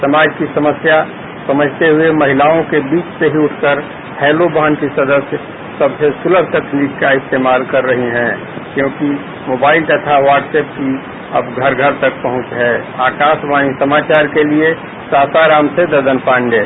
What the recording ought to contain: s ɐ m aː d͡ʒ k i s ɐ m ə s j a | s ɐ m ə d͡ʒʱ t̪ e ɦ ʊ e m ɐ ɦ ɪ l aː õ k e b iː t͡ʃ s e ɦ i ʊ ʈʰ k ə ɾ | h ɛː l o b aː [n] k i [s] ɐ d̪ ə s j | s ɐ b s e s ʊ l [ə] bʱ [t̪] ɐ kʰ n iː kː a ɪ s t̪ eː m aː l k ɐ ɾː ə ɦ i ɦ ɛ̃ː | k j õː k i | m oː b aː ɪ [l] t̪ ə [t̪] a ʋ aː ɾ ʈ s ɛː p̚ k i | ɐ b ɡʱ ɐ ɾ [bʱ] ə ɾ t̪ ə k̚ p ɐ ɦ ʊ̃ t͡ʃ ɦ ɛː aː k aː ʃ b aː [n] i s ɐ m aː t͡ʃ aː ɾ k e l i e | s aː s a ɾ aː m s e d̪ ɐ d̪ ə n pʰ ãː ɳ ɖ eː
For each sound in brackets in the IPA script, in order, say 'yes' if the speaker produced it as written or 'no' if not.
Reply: yes, yes, yes, yes, yes, no, no, yes

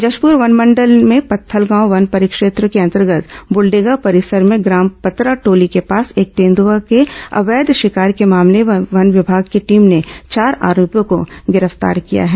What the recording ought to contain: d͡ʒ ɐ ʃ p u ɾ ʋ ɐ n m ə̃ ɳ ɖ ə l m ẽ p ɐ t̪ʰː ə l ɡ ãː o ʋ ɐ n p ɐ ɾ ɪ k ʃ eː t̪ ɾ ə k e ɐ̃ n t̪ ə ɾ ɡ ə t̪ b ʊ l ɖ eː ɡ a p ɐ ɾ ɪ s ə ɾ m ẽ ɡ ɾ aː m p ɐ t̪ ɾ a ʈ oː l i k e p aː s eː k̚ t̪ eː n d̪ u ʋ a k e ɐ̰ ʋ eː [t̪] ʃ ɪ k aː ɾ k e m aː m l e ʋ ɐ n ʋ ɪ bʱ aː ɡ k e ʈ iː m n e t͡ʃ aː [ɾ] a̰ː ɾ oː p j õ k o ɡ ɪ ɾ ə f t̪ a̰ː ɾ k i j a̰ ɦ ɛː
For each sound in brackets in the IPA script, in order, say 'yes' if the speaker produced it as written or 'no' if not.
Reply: no, yes

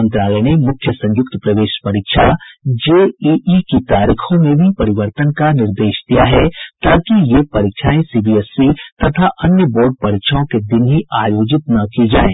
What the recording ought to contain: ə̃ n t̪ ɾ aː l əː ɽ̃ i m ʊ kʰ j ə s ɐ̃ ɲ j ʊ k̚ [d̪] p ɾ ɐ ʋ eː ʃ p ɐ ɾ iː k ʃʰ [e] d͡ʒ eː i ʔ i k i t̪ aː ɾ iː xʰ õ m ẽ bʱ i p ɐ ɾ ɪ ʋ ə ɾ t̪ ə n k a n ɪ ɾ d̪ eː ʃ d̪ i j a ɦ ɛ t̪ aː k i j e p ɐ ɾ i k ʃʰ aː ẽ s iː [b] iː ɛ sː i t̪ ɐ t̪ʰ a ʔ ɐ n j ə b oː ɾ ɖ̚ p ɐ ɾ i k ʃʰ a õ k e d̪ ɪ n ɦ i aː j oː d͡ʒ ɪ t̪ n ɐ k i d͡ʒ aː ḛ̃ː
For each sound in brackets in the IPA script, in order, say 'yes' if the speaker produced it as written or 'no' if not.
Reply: no, no, yes

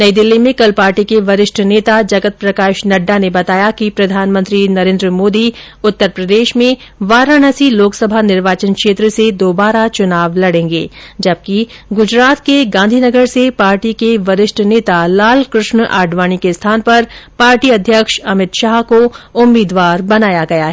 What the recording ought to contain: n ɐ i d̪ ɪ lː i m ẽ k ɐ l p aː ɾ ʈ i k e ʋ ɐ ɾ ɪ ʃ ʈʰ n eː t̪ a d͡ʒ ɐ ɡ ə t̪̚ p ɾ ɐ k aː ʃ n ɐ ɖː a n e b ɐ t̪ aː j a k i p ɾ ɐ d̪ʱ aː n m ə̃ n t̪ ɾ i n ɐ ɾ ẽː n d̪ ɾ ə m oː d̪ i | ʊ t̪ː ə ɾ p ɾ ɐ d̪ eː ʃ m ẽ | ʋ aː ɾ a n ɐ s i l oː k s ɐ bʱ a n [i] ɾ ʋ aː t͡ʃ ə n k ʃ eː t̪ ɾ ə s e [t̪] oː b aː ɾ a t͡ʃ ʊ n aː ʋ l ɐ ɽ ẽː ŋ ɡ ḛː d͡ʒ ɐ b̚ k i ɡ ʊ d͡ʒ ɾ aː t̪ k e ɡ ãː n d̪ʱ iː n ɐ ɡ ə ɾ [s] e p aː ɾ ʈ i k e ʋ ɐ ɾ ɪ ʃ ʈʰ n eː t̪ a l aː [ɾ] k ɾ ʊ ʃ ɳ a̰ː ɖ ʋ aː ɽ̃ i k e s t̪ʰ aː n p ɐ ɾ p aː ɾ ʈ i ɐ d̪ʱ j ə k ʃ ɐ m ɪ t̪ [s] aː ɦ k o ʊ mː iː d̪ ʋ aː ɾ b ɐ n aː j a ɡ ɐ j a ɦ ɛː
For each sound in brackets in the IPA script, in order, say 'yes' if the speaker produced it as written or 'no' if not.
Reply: no, no, yes, no, no

